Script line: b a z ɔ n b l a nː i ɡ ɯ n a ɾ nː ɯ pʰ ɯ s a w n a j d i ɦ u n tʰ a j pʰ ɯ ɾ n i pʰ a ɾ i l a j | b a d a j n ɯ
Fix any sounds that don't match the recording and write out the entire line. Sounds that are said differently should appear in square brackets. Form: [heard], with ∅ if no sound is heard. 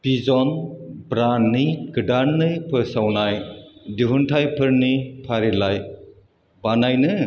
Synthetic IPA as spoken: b [i] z ɔ n b [ɾ] a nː i ɡ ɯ [d] a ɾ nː ɯ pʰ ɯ s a w n a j d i ɦ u n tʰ a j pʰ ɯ ɾ n i pʰ a ɾ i l a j | b a [n] a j n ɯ